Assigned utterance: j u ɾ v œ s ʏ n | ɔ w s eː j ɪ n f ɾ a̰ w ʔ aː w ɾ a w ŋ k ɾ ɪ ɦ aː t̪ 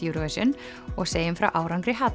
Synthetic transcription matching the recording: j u ɾ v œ s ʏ n | ɔ ɣ s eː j ɪ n f ɾ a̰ w ʔ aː w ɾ a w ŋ k ɾ ɪ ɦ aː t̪